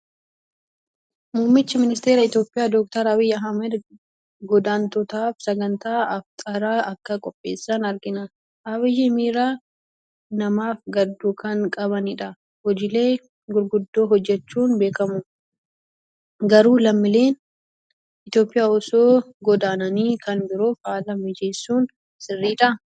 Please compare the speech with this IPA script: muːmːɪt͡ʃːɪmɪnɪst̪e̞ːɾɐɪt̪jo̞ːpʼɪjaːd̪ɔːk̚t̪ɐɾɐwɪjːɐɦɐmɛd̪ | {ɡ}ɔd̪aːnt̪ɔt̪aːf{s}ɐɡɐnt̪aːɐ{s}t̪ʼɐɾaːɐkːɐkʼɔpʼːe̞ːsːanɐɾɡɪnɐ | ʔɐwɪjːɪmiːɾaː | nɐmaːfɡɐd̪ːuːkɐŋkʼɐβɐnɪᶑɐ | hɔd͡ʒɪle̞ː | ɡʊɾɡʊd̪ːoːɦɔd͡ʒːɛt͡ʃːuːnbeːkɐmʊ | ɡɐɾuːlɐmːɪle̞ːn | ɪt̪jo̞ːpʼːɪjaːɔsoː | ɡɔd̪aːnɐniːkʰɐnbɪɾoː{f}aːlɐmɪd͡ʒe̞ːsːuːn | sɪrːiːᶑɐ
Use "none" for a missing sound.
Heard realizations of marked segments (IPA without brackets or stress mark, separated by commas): ɡ, s, f, f